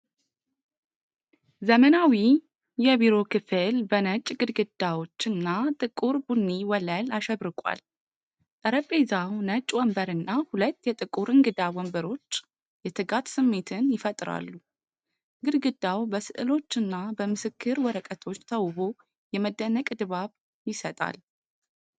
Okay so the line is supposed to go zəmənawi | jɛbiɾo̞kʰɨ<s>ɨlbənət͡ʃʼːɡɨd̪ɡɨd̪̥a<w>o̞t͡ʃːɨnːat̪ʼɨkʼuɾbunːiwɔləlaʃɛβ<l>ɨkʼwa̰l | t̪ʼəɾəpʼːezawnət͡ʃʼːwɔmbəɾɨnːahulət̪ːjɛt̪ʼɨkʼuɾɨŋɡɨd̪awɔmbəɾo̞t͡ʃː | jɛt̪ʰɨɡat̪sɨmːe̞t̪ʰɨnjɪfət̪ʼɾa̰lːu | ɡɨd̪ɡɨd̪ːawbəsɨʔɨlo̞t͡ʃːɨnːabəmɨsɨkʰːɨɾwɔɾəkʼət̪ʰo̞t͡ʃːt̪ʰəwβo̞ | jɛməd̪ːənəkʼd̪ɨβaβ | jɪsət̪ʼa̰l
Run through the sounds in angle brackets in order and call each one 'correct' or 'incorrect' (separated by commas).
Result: incorrect, correct, incorrect